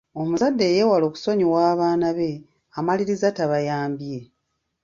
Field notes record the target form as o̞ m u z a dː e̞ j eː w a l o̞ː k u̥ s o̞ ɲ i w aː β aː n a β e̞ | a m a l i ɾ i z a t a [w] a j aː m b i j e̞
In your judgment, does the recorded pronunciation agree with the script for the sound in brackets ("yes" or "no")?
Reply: no